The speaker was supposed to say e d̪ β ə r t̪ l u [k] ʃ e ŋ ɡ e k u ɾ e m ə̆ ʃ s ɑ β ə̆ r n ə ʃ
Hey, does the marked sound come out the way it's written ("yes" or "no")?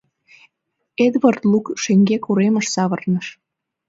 yes